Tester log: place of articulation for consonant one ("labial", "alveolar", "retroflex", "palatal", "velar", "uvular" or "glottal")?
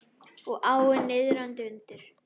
velar